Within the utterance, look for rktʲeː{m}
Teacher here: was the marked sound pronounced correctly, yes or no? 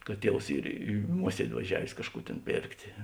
no